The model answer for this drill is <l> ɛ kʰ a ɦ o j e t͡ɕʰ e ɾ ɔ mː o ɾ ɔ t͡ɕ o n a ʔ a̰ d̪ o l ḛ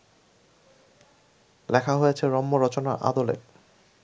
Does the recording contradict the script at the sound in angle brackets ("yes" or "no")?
no